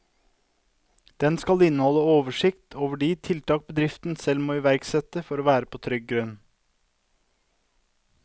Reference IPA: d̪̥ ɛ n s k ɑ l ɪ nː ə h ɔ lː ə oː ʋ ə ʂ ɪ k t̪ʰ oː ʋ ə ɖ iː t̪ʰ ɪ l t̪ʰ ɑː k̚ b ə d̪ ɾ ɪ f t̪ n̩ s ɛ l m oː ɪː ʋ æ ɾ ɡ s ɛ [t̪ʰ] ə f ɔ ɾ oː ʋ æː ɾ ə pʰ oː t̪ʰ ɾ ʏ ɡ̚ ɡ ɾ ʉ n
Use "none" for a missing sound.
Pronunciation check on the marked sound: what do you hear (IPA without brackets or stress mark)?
t̪